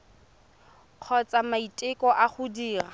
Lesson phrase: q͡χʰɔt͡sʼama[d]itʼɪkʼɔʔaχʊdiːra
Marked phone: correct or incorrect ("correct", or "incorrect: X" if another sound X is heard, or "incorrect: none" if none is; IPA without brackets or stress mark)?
incorrect: none